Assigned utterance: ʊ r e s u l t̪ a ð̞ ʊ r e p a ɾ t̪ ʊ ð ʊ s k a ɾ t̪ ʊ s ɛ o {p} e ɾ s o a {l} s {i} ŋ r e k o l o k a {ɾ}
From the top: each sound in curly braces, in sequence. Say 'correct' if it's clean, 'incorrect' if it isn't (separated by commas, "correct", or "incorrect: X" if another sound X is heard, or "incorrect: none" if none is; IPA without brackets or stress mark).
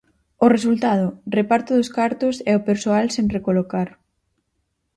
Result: correct, correct, incorrect: e, correct